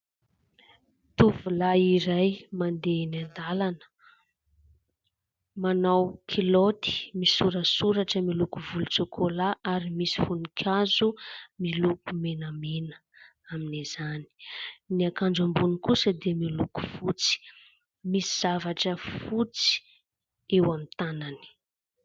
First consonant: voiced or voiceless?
voiceless